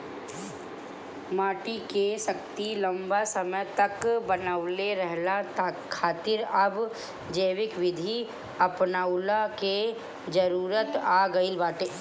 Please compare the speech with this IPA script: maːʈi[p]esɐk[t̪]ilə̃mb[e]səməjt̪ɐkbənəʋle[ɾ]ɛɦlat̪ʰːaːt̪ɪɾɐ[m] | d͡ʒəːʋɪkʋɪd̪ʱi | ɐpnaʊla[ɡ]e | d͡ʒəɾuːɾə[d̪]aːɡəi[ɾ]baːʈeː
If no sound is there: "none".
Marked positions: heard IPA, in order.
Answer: k, t̪, a, ɾ, b, k, t̪, l

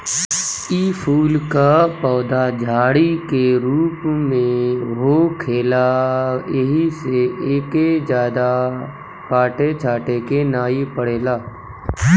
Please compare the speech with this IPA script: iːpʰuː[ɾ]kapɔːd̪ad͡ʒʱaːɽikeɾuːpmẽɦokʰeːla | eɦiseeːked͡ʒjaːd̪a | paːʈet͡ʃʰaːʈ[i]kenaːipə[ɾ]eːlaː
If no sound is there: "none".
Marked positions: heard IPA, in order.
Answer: l, e, ɽ

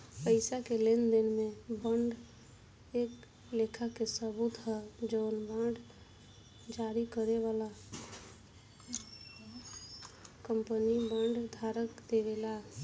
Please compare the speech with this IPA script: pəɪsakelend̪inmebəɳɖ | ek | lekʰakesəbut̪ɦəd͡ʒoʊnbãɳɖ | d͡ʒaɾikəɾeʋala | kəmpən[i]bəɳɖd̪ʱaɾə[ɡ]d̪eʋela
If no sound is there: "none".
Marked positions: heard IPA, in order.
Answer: i, k

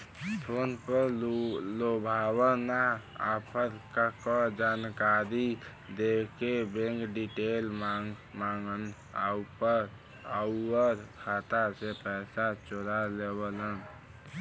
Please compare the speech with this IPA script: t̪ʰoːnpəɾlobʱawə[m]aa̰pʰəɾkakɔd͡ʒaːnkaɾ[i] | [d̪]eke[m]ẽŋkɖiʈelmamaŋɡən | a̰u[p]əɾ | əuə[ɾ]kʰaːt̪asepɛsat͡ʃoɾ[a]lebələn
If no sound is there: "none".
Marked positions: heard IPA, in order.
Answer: n, i, d̪, b, p, ɾ, a

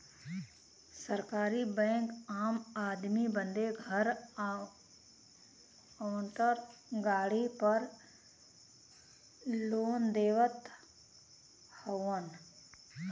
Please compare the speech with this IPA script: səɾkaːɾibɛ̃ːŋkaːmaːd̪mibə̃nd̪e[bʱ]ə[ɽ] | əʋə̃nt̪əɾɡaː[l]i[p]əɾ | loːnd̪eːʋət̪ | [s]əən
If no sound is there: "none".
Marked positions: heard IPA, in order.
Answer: ɡʱ, ɾ, ɽ, p, h

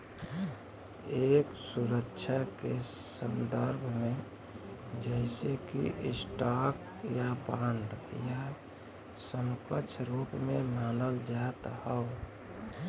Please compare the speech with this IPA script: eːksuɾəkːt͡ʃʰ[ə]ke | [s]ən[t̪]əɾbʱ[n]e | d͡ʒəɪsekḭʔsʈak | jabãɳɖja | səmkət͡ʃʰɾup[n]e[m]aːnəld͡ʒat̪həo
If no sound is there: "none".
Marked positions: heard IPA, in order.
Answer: a, s, d̪, m, m, m

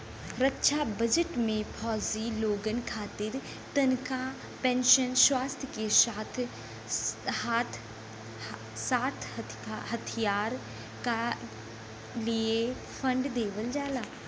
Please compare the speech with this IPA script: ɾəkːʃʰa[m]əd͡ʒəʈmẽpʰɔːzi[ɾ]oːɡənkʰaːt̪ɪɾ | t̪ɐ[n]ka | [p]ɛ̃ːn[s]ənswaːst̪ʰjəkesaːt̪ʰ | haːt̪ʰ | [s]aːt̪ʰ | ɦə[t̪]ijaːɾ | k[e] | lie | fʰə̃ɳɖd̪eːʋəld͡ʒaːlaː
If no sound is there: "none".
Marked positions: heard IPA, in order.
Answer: b, l, n, p, ʃ, s, t̪ʰ, a

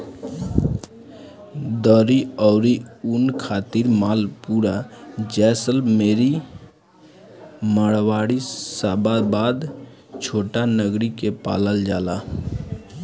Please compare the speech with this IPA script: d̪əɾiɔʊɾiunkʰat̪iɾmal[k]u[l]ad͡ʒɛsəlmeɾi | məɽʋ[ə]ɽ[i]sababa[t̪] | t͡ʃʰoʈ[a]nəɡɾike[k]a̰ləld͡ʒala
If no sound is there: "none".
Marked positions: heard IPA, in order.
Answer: p, ɾ, a, i, d̪, a, p

